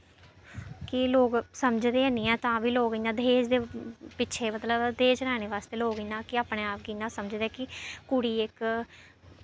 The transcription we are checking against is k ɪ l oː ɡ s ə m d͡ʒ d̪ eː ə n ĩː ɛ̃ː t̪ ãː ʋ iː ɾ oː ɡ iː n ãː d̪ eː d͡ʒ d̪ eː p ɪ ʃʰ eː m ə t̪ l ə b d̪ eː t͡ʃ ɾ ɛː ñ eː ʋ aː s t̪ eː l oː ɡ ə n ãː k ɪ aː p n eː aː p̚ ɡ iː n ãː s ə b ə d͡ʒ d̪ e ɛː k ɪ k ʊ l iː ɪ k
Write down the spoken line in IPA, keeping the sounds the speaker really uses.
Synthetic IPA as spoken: k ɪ l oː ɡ s ə m d͡ʒ d̪ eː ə n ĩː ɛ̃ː t̪ ãː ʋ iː l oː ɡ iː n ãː d̪ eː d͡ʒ d̪ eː p ɪ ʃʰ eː m ə t̪ l ə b d̪ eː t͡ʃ ɾ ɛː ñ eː ʋ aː s t̪ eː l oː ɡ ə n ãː k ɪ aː p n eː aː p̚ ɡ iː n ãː s ə m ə d͡ʒ d̪ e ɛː k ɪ k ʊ ɽ iː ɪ k